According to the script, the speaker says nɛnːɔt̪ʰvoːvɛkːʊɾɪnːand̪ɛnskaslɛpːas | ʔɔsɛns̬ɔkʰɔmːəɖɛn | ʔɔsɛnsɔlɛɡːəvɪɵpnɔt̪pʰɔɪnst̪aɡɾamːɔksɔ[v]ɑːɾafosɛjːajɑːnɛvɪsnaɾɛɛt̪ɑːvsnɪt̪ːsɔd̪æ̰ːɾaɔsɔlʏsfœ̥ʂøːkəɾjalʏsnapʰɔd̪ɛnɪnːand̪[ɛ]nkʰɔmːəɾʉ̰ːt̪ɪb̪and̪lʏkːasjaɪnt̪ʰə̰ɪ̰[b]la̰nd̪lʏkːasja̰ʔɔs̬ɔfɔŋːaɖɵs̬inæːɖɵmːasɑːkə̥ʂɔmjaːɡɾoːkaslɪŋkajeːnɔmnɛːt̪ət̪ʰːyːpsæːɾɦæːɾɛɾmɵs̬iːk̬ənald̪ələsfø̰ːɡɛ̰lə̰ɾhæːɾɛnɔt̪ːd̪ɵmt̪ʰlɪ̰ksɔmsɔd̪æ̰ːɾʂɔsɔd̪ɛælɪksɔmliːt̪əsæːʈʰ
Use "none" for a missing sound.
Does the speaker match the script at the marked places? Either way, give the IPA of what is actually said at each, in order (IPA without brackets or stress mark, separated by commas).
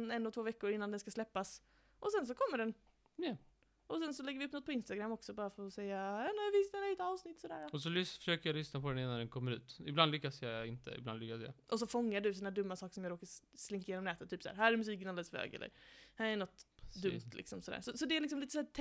b, ɛ, b